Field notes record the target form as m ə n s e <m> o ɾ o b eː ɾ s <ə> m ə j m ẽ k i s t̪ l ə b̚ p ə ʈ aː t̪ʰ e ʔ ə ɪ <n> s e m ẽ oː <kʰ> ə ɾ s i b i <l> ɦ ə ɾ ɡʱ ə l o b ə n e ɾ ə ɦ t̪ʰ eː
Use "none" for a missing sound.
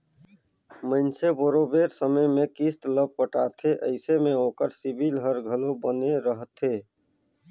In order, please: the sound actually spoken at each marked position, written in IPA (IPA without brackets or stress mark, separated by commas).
b, ə, none, k, l